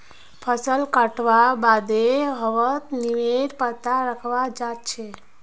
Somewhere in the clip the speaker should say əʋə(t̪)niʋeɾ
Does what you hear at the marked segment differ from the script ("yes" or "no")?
no